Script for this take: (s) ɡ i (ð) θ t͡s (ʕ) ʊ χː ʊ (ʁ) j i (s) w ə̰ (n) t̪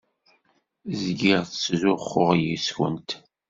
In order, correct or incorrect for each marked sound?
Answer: incorrect, incorrect, incorrect, correct, correct, correct

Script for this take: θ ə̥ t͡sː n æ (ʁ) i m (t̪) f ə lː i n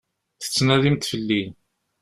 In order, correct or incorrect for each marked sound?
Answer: incorrect, correct

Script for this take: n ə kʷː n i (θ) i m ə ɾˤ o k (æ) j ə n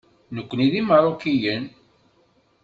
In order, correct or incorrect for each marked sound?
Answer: incorrect, incorrect

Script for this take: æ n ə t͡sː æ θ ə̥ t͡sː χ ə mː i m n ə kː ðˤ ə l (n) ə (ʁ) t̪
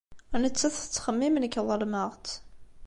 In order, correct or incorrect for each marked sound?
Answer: incorrect, correct

